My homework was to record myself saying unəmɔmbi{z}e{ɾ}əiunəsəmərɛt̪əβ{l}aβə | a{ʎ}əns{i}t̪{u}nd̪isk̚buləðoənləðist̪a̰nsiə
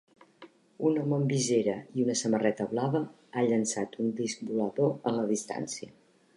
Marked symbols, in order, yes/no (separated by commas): yes, yes, yes, yes, no, yes